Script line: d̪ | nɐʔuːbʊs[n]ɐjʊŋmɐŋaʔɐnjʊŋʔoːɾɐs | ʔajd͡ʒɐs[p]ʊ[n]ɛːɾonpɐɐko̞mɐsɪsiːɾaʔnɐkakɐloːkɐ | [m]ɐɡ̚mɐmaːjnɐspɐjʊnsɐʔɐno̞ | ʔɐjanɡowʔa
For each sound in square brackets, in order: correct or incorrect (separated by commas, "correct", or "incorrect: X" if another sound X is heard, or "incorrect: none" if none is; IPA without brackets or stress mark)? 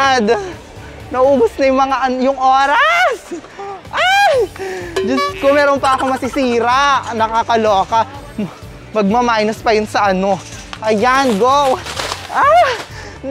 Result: correct, incorrect: k, incorrect: m, correct